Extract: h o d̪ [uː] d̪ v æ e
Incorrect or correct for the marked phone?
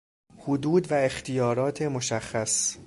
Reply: correct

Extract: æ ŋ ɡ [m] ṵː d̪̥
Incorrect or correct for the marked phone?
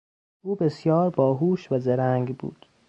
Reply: incorrect: b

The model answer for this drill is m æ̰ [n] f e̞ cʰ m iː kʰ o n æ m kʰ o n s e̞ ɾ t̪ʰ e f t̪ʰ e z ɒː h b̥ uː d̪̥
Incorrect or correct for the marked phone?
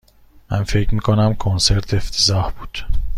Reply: correct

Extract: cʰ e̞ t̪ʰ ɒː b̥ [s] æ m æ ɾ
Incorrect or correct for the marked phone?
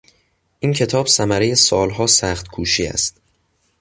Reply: correct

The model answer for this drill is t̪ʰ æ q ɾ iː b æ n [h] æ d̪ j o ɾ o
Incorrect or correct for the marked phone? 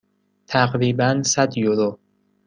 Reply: incorrect: s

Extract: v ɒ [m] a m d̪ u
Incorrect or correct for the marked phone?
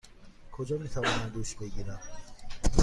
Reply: incorrect: n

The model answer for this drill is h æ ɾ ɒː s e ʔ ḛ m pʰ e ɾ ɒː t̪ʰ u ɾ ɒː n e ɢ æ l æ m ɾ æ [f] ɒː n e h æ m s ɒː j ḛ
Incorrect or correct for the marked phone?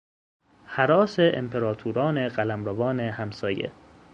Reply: incorrect: v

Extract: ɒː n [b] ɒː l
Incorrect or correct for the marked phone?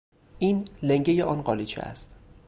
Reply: incorrect: ɢ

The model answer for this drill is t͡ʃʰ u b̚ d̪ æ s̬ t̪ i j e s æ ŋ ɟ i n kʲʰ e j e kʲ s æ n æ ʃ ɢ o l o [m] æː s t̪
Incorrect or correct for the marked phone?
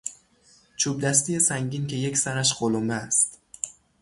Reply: correct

